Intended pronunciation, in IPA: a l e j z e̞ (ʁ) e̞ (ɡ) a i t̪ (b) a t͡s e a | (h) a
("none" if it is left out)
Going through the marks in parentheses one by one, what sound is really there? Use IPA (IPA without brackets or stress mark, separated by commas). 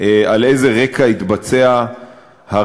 ʁ, k, b, h